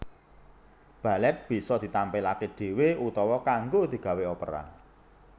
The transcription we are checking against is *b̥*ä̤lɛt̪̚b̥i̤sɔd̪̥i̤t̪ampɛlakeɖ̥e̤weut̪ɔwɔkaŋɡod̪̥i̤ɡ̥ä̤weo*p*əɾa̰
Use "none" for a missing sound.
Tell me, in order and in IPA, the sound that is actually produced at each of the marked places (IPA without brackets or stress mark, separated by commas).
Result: b̥, p